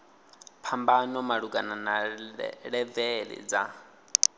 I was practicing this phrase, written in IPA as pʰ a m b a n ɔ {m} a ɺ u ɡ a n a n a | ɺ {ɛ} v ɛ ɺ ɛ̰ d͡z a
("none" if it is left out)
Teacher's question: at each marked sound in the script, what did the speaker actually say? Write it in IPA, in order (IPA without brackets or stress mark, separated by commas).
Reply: m, ɛ